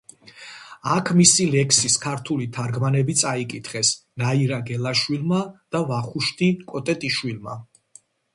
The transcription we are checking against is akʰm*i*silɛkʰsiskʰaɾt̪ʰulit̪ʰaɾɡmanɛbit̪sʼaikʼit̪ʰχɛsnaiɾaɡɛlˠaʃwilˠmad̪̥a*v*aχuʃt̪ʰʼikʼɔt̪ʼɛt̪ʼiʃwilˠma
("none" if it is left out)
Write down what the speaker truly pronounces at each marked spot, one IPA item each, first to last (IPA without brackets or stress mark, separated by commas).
i, v